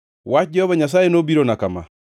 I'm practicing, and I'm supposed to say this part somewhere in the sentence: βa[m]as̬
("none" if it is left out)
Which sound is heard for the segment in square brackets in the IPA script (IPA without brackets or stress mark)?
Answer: ɲ